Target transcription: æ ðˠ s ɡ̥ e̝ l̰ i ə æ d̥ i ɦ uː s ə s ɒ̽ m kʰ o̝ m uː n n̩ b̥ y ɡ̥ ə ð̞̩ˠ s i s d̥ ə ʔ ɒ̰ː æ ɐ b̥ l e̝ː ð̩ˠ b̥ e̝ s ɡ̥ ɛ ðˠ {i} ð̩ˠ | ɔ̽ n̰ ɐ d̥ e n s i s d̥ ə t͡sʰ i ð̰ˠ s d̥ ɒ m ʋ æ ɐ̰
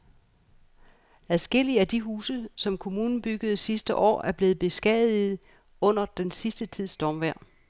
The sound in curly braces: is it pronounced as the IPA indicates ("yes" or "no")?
yes